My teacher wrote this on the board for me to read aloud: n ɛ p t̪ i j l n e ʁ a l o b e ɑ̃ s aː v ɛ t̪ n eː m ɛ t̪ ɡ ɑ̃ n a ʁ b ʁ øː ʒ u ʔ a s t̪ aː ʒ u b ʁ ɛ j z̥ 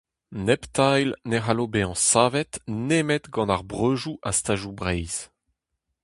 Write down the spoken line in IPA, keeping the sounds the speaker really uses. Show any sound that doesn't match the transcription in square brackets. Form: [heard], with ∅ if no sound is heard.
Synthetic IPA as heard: n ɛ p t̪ [a] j l n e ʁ a l o b e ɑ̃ s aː v ɛ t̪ n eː m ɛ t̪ ɡ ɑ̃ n a ʁ b ʁ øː ʒ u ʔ a s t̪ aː ʒ u b ʁ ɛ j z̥

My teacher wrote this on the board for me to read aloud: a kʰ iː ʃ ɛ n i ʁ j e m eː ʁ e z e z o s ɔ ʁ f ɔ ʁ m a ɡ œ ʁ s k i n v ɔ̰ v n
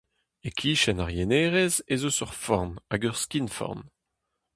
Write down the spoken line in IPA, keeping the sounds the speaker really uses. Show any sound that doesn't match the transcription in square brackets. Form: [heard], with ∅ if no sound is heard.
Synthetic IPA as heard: [e] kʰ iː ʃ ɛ n [a] ʁ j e [n] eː ʁ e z e z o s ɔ ʁ f ɔ ʁ [n] a ɡ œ ʁ s k i n [f] ɔ̰ [ʁ] n

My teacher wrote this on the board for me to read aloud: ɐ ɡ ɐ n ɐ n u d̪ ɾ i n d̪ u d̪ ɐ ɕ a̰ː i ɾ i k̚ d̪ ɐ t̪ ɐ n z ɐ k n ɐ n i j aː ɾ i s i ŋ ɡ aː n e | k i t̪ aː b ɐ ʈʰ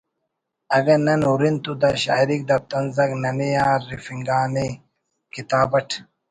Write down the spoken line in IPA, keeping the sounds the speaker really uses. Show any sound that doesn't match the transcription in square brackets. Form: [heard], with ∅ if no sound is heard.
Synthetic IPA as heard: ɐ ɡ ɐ n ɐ n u [∅] ɾ i n [t̪] u d̪ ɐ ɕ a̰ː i ɾ i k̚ d̪ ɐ t̪ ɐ n z ɐ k n ɐ n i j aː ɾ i [f] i ŋ ɡ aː n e | k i t̪ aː b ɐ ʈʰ

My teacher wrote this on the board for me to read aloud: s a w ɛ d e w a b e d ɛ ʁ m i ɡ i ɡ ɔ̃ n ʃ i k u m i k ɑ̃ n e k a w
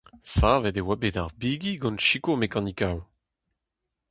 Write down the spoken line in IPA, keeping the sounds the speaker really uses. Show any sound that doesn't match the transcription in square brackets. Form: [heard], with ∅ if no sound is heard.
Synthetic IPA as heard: s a [v] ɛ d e w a b e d [a] ʁ [b] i ɡ i ɡ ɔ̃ n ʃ i k [o] m [e] k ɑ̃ n [i] k a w

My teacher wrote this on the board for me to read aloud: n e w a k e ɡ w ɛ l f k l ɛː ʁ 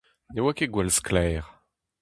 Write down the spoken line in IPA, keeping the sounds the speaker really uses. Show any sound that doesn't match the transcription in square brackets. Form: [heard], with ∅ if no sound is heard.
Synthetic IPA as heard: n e w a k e ɡ w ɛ l [s] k l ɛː ʁ

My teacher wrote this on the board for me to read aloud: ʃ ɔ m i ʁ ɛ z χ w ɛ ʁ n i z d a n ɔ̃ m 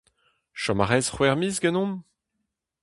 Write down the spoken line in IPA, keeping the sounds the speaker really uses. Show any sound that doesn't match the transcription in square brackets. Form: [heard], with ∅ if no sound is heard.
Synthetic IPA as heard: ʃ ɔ m [a] ʁ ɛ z χ w ɛ ʁ [m] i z [ɡ] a n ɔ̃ m

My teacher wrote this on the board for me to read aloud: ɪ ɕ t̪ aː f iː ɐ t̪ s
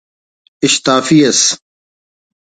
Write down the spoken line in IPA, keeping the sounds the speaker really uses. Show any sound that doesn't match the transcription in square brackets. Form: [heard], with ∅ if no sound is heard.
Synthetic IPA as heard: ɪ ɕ t̪ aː f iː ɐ [∅] s

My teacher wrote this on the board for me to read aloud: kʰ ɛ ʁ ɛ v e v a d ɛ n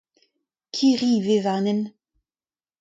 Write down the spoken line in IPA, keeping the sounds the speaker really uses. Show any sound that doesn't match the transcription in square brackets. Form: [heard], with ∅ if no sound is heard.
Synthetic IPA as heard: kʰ [i] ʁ [i] v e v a [n] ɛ n

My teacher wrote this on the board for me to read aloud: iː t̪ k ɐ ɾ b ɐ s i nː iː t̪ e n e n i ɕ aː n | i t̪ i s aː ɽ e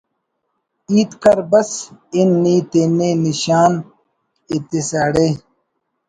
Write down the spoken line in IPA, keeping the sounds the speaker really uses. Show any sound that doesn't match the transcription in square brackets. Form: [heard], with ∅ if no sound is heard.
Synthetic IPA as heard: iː t̪ k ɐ ɾ b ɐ s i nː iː t̪ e n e n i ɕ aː n | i t̪ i s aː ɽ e

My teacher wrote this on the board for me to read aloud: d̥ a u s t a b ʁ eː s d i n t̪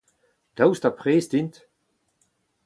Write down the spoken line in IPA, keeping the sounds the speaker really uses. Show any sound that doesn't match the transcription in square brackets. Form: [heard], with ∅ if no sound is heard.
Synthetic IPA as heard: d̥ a [w] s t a [p] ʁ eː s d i n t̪

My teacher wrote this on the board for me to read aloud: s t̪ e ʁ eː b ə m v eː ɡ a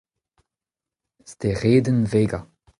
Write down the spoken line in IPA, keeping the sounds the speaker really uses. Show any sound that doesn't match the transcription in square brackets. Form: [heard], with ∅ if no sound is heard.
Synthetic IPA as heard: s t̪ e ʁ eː [d] ə [n] v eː ɡ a

